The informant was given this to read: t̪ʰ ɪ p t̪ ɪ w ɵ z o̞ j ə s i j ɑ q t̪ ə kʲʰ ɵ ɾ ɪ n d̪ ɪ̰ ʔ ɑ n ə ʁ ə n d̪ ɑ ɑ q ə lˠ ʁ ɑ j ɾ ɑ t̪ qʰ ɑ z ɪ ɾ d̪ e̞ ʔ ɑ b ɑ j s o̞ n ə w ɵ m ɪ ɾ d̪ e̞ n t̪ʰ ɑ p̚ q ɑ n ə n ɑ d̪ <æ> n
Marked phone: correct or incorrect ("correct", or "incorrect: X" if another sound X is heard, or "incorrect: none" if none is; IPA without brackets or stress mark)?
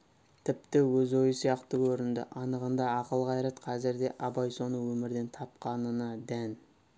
correct